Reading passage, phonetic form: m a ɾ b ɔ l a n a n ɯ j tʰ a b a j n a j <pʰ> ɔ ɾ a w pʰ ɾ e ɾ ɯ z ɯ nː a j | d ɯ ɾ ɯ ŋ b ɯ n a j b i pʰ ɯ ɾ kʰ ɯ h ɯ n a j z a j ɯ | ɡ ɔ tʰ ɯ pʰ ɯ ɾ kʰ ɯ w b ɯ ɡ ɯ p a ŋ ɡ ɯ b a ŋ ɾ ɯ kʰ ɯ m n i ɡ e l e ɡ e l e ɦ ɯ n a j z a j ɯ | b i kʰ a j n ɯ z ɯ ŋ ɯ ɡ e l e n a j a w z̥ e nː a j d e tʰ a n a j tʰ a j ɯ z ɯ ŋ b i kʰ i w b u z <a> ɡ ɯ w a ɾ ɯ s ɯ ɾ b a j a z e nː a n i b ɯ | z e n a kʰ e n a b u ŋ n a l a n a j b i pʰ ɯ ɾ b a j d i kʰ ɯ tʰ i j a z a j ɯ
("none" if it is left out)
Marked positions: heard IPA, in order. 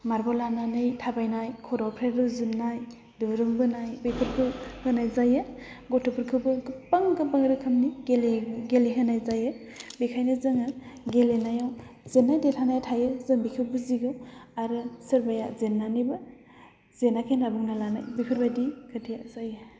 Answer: kʰ, i

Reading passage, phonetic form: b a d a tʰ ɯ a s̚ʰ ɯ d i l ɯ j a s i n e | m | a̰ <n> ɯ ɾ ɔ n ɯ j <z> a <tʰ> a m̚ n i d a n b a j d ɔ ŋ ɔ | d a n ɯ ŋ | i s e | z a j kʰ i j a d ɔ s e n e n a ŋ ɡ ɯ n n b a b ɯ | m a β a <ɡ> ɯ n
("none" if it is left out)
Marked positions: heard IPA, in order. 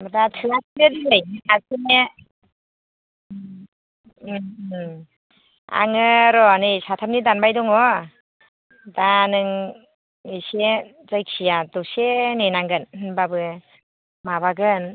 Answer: ŋ, s, tʰ, ɡ

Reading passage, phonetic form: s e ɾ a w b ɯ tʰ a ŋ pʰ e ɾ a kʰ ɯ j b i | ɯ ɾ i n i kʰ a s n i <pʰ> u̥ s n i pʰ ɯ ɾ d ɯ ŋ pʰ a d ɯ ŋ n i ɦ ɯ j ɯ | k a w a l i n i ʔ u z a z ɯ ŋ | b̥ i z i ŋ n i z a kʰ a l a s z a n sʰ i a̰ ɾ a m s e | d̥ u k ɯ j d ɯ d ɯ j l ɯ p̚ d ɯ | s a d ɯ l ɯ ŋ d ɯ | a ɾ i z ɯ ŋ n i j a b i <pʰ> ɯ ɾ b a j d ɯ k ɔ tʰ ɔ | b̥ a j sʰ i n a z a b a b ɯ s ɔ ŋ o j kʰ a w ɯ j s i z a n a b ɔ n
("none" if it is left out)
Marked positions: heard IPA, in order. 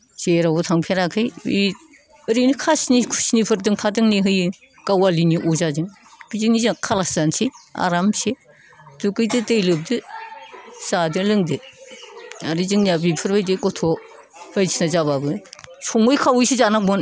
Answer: kʰ, pʰ

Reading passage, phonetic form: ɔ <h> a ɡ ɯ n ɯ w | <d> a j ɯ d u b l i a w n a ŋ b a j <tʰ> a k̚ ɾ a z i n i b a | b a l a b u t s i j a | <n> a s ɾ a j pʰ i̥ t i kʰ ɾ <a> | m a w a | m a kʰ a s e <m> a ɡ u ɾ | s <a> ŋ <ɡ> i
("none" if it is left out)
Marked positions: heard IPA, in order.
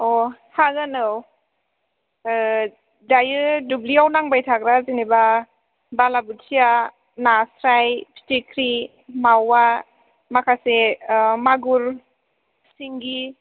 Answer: h, d, tʰ, n, i, m, i, ɡ

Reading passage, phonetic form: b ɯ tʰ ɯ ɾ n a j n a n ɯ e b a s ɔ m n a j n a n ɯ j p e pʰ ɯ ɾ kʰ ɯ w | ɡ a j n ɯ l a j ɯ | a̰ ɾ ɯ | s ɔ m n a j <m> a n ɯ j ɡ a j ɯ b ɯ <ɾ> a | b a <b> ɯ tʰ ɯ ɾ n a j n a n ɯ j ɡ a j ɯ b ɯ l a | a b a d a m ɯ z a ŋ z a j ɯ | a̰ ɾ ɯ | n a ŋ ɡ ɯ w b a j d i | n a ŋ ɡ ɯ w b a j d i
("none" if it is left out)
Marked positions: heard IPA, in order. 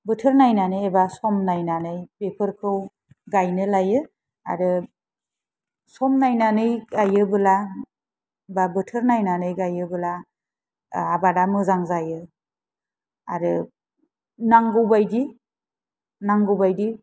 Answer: n, l, b

